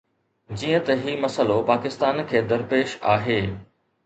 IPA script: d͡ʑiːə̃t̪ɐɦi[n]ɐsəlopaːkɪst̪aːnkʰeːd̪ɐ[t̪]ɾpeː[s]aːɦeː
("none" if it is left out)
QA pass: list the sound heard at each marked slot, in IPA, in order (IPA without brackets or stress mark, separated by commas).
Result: m, none, ʃ